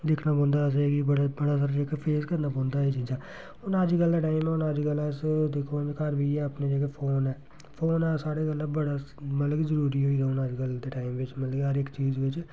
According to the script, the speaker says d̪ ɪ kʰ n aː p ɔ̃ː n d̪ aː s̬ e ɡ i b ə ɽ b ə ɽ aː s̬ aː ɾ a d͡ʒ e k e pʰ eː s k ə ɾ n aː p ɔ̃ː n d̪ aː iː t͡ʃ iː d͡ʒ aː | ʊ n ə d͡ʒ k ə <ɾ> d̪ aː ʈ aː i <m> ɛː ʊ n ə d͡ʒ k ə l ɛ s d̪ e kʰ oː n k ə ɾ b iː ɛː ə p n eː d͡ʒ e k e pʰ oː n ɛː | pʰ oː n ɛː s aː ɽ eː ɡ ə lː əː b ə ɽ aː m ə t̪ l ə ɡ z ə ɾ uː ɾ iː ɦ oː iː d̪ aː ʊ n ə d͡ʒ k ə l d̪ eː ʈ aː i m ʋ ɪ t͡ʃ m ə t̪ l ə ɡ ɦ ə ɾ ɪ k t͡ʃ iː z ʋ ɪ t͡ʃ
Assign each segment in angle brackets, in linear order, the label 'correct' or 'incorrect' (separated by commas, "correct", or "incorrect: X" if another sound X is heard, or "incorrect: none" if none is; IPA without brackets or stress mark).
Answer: incorrect: l, correct